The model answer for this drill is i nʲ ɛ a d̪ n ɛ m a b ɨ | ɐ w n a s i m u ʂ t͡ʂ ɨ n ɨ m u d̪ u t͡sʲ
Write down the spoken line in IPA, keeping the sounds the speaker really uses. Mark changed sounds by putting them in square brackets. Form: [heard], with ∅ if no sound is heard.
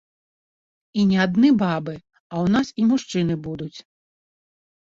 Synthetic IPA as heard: i nʲ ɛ a d̪ n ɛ [b] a b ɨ | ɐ w n a s i m u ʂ t͡ʂ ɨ n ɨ [b] u d̪ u t͡sʲ